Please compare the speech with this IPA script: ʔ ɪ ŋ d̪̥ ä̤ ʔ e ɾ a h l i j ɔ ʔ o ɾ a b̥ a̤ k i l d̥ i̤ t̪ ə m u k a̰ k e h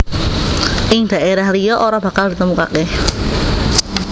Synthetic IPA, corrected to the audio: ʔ ɪ ŋ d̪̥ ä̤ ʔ e ɾ a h l i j ɔ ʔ o ɾ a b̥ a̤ k a l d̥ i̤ t̪ ə m u k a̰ k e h